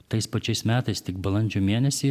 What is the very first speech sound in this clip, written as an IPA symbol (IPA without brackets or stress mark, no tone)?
t̪